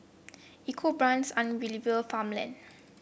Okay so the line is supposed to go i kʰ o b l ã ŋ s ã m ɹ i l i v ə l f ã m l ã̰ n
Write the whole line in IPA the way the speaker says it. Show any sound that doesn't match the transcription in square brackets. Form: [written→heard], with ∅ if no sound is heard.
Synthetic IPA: i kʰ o b [l→ɹ] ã [ŋ→n] s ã [m→n] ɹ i l i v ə l f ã m l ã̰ n